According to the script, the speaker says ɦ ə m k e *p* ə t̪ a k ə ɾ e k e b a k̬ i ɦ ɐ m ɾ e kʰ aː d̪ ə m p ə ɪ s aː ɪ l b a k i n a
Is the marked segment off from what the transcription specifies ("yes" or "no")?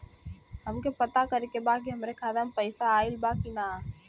no